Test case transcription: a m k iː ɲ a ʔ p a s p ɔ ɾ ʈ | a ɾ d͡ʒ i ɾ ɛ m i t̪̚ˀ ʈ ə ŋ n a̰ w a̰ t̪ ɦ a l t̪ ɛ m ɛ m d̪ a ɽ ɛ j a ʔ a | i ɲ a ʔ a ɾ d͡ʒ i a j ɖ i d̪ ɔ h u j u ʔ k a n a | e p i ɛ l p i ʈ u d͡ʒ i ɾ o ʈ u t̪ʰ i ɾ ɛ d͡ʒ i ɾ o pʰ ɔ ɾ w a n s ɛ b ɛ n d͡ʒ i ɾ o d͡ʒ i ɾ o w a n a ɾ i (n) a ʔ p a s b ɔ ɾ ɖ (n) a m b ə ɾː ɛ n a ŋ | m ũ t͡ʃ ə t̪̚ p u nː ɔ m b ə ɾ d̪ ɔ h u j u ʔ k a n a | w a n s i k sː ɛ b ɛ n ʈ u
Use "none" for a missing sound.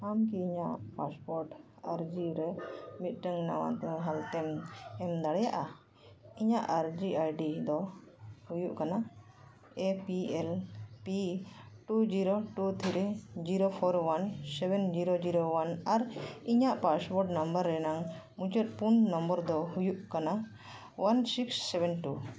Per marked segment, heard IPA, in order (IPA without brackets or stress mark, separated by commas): ɲ, n